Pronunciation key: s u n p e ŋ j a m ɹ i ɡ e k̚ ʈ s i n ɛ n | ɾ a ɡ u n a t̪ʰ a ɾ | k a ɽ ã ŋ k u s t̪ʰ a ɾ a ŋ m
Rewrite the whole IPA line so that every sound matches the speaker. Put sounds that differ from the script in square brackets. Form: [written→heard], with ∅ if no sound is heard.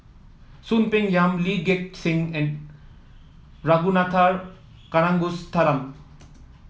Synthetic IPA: s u n p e ŋ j a m [ɹ→l] i ɡ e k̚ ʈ s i [n→ŋ] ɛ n | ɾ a ɡ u n a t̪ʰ a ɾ | k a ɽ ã ŋ [k→ɡ] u s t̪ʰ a ɾ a [ŋ→∅] m